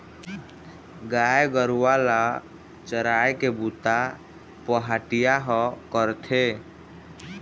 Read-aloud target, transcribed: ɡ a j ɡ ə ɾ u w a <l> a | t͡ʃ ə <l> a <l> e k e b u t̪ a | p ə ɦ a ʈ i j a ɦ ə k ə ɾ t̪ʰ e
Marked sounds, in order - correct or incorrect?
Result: correct, incorrect, incorrect

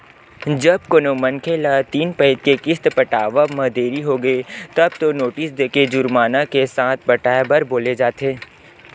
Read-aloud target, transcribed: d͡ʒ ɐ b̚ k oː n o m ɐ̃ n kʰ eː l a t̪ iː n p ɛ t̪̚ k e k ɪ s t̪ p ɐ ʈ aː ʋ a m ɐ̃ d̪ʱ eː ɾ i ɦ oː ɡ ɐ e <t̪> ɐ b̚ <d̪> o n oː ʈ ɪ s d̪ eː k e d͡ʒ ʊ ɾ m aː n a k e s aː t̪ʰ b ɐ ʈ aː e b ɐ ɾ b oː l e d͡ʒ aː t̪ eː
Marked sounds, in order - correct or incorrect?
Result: correct, incorrect

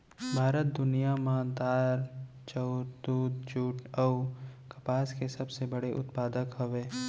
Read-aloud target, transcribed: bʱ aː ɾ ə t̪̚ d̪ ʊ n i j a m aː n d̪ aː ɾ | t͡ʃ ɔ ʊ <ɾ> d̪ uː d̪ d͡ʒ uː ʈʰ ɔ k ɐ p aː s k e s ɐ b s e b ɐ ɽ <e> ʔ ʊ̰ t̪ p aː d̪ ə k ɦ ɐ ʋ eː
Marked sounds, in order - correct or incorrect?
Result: correct, correct

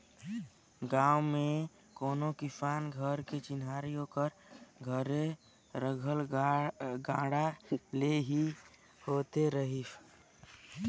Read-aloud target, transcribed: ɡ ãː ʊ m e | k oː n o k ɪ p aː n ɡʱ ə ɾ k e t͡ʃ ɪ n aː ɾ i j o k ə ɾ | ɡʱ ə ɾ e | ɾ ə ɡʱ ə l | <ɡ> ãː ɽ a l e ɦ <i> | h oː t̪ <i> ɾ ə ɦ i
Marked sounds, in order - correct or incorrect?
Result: correct, correct, incorrect

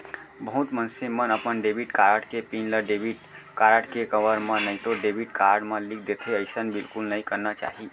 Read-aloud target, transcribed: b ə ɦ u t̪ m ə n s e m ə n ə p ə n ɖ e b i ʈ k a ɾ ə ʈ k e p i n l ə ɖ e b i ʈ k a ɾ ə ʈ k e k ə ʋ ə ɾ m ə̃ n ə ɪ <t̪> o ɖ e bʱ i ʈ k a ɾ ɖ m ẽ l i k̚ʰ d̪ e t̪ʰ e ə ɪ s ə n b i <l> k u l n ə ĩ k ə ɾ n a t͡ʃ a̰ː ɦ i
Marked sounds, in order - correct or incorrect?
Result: correct, correct

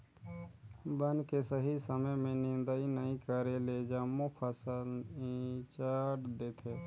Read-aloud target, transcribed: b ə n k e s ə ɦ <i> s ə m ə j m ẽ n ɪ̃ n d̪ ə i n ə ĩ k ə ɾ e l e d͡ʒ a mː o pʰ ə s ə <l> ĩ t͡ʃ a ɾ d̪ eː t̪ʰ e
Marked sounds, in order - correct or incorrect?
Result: correct, correct

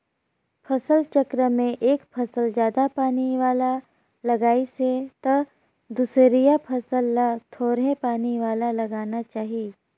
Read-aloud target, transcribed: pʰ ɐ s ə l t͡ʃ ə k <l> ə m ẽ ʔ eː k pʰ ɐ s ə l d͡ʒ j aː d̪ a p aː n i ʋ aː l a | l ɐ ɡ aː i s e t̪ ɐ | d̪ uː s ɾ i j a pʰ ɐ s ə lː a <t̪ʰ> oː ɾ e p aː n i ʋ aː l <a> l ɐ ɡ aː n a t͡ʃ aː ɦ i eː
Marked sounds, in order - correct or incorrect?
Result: incorrect, correct, correct

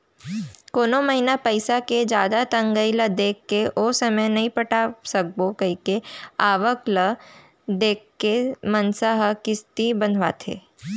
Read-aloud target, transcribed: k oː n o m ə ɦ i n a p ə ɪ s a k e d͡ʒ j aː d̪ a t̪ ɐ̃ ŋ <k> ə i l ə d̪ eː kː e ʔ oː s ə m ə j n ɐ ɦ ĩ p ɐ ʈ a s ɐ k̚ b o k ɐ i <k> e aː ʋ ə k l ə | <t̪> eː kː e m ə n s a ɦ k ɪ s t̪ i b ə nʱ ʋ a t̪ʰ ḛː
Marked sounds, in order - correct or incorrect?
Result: incorrect, correct, incorrect

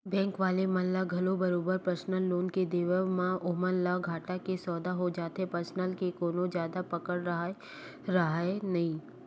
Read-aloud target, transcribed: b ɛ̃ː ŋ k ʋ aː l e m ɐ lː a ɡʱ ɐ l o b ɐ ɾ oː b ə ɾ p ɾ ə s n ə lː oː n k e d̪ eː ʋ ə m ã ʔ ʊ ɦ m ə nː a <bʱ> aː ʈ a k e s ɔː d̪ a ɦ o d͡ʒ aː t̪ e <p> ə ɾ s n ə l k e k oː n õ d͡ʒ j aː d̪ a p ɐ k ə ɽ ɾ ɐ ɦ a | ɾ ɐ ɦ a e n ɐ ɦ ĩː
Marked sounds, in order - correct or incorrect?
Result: incorrect, correct

